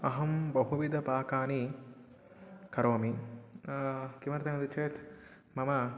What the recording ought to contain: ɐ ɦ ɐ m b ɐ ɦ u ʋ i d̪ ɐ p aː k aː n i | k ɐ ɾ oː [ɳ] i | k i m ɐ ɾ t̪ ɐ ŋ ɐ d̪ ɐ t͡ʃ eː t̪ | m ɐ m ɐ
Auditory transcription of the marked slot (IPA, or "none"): m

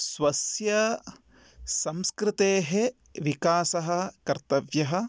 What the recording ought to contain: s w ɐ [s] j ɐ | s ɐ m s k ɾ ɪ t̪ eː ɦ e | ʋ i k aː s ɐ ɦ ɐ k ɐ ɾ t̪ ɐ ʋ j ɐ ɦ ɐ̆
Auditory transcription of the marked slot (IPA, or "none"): s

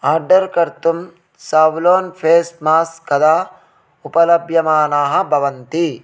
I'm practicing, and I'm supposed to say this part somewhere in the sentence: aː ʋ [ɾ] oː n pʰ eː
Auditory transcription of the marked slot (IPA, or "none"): l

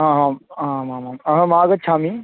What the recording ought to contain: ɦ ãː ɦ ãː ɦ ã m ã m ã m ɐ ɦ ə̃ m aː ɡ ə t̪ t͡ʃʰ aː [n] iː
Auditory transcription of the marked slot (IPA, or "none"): m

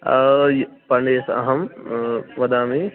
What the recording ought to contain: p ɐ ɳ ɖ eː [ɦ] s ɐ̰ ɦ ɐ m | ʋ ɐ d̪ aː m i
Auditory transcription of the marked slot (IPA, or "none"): none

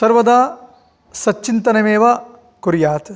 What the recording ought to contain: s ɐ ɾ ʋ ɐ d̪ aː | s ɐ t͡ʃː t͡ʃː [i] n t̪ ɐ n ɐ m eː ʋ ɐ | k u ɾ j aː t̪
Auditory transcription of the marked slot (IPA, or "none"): i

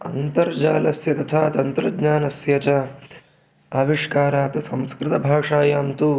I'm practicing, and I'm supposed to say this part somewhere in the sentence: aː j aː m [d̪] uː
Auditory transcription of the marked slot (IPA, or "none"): t̪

